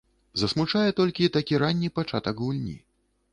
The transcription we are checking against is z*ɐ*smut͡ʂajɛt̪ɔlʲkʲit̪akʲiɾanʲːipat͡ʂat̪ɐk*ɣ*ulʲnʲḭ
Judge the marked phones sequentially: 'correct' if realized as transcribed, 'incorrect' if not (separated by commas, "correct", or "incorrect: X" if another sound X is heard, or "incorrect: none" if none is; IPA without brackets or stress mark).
correct, correct